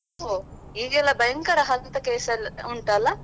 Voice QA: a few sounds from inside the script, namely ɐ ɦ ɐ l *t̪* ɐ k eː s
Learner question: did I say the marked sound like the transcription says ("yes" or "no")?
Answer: yes